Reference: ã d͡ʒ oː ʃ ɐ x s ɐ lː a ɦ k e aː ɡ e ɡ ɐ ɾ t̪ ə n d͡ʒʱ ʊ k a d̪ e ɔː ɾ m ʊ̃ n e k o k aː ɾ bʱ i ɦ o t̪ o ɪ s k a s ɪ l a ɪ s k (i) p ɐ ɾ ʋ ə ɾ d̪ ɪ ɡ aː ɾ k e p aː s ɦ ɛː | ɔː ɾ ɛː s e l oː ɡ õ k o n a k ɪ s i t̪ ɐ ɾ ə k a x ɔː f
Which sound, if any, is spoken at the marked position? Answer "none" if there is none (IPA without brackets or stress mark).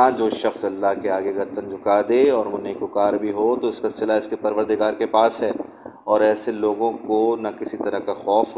e